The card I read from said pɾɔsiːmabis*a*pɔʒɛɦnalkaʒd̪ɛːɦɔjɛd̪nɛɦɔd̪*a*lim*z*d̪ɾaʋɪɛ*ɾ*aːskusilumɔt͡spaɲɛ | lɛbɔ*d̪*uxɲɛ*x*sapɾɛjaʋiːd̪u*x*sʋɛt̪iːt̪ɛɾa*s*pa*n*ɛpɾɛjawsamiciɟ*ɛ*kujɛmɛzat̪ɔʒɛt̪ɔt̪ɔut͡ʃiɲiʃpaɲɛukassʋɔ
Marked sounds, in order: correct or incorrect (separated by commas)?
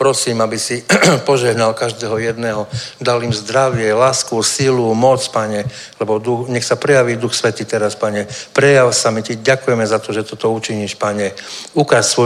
incorrect, correct, correct, incorrect, correct, correct, correct, correct, incorrect, incorrect